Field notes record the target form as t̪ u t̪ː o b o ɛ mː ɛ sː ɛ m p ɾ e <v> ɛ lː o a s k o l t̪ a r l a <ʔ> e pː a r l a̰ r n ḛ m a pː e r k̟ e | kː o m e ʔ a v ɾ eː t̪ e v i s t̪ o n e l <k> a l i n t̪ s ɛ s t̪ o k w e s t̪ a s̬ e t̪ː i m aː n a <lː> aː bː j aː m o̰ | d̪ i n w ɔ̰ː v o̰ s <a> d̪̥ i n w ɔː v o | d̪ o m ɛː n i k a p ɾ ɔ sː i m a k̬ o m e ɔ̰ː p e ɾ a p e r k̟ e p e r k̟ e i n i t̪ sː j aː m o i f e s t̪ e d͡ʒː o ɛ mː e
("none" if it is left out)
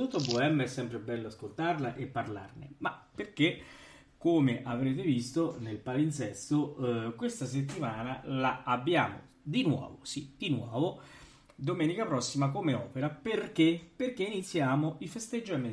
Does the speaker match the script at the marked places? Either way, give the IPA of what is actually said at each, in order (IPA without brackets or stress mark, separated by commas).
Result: b, ʔ, p, l, i